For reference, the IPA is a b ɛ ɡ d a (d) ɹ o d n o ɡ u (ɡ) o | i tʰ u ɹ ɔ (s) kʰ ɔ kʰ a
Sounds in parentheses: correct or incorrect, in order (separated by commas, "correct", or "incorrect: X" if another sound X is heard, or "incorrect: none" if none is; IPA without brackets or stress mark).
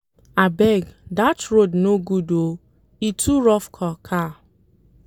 incorrect: t, incorrect: d, incorrect: f